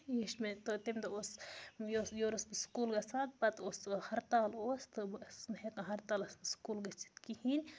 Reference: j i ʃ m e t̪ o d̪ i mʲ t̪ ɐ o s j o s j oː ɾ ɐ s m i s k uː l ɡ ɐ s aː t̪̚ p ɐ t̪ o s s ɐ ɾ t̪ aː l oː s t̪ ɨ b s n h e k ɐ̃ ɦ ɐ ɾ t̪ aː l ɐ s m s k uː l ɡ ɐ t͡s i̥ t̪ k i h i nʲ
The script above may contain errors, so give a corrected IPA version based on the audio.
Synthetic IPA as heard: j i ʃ m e t̪ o t̪ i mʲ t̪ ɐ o s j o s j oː ɾ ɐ s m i s k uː l ɡ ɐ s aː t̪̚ p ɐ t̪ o s h ɐ ɾ t̪ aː l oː s t̪ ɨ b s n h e k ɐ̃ ɦ ɐ ɾ t̪ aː l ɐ s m s k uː l ɡ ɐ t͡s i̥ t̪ k i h i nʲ